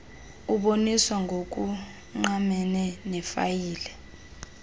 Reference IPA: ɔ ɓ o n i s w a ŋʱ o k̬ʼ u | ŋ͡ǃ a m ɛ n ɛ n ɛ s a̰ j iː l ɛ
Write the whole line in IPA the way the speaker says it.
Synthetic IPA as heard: u ɓ o n i s w a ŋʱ o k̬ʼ u | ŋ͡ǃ a m ɛ n ɛ n ɛ f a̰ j iː l ɛ